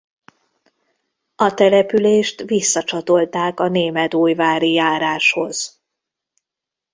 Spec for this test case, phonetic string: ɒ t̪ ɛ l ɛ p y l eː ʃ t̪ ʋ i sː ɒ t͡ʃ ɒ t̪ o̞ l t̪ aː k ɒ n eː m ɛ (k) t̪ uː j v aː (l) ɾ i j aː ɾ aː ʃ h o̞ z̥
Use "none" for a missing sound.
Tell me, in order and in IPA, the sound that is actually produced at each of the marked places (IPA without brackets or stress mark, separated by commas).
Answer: none, none